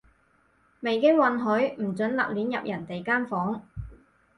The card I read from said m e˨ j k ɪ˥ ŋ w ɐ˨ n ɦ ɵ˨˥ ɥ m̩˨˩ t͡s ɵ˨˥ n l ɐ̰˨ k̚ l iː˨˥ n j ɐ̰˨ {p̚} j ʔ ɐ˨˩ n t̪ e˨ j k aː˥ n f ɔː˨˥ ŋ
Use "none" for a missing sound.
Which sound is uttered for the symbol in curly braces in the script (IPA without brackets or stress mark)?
p̚